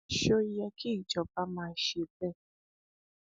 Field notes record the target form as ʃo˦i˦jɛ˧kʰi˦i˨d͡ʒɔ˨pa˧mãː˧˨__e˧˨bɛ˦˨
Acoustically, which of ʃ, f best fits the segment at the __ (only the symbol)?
ʃ